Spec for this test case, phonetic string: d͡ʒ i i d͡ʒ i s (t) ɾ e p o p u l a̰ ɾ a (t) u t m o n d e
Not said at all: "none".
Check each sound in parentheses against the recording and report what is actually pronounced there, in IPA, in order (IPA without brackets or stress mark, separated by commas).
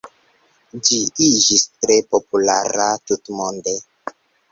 t, t